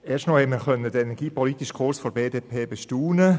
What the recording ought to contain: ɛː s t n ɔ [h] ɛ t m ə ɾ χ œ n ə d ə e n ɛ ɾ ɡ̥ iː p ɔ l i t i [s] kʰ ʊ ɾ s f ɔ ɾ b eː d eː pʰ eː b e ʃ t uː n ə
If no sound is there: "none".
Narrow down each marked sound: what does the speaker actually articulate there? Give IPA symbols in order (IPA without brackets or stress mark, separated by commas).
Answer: h, ʃ